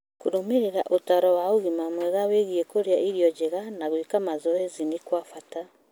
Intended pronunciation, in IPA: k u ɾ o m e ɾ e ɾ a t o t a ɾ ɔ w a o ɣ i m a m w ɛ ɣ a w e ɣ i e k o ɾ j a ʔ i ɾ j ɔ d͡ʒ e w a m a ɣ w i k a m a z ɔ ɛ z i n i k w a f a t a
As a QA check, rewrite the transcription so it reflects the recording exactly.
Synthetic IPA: k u ɾ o m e ɾ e ɾ a ʔ o t a ɾ ɔ w a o ɣ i m a m w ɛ ɣ a w e ɣ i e k o ɾ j a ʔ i ɾ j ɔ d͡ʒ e ɣ a n a ɣ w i k a m a z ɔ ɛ z i n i k w a f a t a